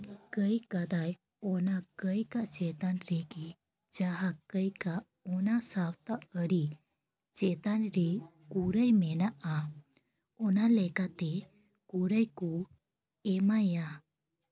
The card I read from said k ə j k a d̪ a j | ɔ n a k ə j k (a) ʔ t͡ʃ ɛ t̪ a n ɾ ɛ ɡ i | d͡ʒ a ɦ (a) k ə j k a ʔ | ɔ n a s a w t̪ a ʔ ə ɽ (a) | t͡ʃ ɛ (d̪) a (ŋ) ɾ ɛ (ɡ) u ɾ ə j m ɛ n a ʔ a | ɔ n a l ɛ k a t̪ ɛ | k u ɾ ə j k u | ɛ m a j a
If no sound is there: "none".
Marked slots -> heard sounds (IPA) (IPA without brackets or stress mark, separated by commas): a, a, i, t̪, n, k